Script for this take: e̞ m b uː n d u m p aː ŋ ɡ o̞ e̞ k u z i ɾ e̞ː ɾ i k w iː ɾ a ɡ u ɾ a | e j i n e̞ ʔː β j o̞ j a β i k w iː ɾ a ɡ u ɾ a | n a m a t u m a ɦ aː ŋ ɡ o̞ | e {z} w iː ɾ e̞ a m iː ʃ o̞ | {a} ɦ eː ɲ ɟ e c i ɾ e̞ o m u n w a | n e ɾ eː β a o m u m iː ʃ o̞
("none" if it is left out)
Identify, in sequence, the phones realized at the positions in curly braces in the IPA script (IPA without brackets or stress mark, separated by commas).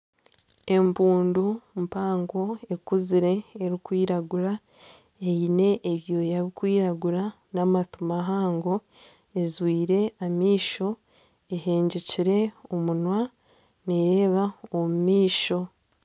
z, e